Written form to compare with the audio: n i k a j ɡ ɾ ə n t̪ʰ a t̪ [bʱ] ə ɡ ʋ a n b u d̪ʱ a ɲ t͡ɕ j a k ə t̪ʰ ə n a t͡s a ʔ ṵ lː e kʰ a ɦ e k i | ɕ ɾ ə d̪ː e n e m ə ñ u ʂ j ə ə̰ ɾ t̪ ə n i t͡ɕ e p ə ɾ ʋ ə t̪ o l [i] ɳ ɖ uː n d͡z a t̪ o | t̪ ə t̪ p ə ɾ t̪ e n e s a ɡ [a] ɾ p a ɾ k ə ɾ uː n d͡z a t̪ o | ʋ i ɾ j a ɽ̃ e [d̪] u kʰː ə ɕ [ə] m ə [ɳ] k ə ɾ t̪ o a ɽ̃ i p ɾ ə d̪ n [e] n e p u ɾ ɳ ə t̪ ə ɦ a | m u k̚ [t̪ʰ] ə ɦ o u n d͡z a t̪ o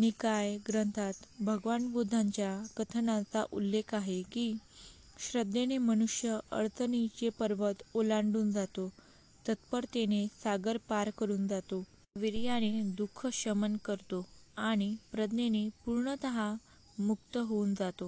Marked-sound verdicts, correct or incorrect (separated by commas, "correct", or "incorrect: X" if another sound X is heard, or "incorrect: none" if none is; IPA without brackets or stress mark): correct, incorrect: a, incorrect: ə, correct, correct, incorrect: n, correct, incorrect: t̪